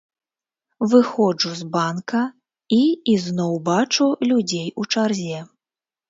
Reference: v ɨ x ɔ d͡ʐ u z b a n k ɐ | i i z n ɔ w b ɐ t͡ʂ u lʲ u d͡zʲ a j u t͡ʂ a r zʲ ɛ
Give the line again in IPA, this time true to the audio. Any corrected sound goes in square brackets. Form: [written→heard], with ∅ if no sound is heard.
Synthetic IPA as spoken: v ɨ x ɔ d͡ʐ u z b a n k ɐ | i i z n ɔ w b [ɐ→a] t͡ʂ u lʲ u d͡zʲ [a→e] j u t͡ʂ a r zʲ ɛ